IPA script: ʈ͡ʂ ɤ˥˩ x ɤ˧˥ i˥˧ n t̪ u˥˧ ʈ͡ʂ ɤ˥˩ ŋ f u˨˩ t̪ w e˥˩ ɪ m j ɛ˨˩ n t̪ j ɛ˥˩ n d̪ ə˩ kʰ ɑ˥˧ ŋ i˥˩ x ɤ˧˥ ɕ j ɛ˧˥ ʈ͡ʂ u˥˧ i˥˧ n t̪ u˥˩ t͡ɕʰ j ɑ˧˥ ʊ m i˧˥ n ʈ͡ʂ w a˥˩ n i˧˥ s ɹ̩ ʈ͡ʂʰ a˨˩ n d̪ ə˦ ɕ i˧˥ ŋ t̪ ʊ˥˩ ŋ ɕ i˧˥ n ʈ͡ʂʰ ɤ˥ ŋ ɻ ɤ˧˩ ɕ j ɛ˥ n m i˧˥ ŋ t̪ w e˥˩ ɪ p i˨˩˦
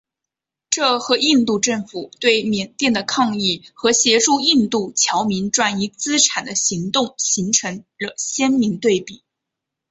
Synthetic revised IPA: ʈ͡ʂ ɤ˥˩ x ɤ˧˥ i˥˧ n t̪ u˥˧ ʈ͡ʂ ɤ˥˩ ŋ f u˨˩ t̪ w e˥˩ ɪ m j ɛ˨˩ n t̪ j ɛ˥˩ n d̪ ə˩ kʰ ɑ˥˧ ŋ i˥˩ x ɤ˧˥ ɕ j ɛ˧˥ ʈ͡ʂ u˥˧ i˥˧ n t̪ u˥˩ t͡ɕʰ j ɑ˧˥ ʊ m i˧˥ n ʈ͡ʂ w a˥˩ n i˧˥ t͡s ɹ̩ ʈ͡ʂʰ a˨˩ n d̪ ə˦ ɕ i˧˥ ŋ t̪ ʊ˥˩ ŋ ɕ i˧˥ ŋ ʈ͡ʂʰ ɤ˧˥ ŋ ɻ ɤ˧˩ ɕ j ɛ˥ n m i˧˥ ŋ t̪ w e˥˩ ɪ p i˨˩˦